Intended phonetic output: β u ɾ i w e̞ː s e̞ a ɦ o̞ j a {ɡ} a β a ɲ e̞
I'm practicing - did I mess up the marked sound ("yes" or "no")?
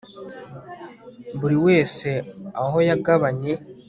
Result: no